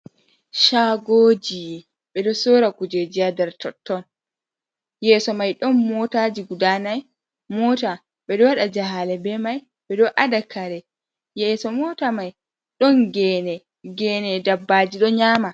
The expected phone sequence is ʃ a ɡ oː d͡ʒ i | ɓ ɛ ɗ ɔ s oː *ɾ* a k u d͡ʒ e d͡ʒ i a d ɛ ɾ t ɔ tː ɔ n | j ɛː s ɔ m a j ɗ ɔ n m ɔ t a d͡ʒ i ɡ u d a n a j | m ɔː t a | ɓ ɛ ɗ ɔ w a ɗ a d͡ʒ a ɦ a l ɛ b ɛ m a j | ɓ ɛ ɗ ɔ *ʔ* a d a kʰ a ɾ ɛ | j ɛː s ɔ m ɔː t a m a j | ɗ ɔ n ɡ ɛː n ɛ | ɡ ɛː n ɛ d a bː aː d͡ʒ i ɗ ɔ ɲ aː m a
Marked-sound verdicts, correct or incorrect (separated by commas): correct, correct